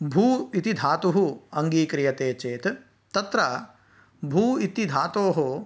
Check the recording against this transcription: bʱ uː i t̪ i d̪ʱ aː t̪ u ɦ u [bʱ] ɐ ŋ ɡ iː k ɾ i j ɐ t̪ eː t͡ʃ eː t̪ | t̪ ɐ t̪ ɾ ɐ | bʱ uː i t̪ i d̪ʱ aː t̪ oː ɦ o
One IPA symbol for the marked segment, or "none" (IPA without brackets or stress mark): none